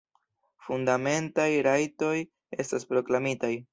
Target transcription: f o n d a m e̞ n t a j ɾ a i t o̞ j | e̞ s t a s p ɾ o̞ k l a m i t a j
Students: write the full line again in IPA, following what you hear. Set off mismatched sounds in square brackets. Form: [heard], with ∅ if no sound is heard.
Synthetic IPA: f [u] n d a m e̞ n t a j ɾ a [j] t o̞ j | e̞ s t a s p ɾ o̞ k l a m i t a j